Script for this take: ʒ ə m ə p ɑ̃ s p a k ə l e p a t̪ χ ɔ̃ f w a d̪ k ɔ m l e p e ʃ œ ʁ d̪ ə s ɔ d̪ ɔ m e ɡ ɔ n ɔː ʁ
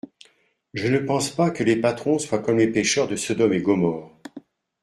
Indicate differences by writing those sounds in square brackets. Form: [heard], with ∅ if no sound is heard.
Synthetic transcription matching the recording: ʒ ə [n] ə p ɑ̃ s p a k ə l e p a t̪ χ ɔ̃ [s] w a [∅] k ɔ m l e p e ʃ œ ʁ d̪ ə s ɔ d̪ ɔ m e ɡ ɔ [m] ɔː ʁ

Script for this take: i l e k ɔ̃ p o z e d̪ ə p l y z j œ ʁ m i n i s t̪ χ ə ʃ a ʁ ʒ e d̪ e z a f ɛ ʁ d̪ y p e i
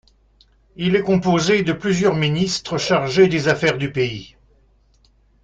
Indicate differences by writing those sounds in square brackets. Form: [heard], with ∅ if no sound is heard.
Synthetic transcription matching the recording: i l [ɛ] k ɔ̃ p o z e d̪ ə p l y z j œ ʁ m i n i s t̪ χ ə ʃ a ʁ ʒ e d̪ e z a f ɛ ʁ d̪ y p e i

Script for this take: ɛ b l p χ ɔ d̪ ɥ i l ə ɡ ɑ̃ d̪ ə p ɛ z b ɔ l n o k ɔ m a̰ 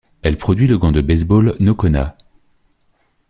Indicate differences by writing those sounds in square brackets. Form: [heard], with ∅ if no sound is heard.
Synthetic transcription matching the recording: ɛ [∅] l p χ ɔ d̪ ɥ i l ə ɡ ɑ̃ d̪ ə [b] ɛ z b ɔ l n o k ɔ [n] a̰

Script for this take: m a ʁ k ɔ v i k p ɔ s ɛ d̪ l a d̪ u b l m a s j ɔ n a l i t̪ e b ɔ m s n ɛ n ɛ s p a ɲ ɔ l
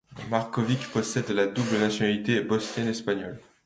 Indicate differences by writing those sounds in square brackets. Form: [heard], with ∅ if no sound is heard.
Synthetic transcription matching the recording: m a ʁ k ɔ v i k p ɔ s ɛ d̪ l a d̪ u b l [n] a s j ɔ n a l i t̪ e b ɔ [∅] s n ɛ n ɛ s p a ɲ ɔ l

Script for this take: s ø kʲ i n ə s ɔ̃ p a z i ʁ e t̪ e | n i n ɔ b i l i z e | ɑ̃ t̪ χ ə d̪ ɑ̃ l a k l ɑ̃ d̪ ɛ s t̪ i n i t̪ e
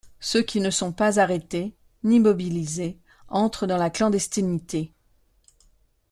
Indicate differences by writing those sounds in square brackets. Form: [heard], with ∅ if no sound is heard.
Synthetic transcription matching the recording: s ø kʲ i n ə s ɔ̃ p a z [a] ʁ e t̪ e | n i [m] ɔ b i l i z e | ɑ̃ t̪ χ ə d̪ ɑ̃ l a k l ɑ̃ d̪ ɛ s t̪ i n i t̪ e

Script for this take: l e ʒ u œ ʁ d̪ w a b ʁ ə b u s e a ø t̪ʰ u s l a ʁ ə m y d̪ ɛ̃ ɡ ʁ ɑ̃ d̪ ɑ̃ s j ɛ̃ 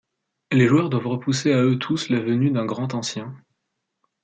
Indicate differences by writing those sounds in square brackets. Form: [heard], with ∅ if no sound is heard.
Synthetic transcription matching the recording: l e ʒ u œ ʁ d̪ w a [v] ʁ ə [p] u s e a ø t̪ʰ u s l a [v] ə [n] y d̪ ɛ̃ ɡ ʁ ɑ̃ [t̪] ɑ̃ s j ɛ̃

